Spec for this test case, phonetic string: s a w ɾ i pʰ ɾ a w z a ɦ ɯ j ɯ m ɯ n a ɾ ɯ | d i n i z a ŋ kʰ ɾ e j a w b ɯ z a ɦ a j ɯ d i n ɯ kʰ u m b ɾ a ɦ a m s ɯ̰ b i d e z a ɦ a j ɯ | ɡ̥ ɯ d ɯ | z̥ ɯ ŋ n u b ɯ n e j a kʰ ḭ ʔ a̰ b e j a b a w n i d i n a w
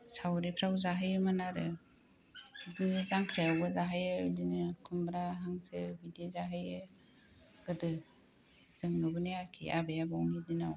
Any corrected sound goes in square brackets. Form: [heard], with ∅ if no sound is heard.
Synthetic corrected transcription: s a w ɾ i pʰ ɾ a w z a ɦ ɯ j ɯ m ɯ n a ɾ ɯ | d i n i z a ŋ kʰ ɾ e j a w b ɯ z a ɦ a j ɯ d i n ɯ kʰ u m b ɾ a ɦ a [ŋ] s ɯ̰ b i d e z a ɦ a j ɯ | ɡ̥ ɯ d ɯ | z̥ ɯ ŋ n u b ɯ n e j a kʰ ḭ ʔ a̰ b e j a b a w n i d i n a w